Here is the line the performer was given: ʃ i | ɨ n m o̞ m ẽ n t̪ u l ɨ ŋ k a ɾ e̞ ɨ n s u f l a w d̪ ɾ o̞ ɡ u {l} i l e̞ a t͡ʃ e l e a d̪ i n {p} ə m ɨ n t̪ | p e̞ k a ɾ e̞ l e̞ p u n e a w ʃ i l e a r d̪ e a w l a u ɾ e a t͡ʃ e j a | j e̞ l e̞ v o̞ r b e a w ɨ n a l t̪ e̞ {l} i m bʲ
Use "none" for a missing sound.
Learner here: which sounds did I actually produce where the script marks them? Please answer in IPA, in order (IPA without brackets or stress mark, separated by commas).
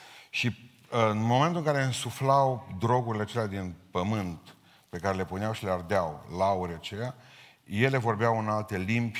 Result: ɾ, p, l